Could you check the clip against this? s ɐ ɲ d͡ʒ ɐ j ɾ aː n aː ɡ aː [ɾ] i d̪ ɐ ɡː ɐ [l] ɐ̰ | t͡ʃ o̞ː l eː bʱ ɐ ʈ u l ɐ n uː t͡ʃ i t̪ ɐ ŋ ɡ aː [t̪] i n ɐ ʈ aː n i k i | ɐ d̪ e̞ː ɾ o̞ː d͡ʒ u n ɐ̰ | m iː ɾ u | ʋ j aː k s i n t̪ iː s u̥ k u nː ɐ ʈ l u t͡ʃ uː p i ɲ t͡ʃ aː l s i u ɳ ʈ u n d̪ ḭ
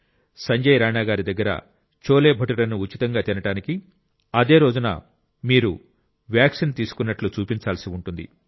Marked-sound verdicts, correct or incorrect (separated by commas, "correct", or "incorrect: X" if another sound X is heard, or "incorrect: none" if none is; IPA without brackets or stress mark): correct, incorrect: ɾ, correct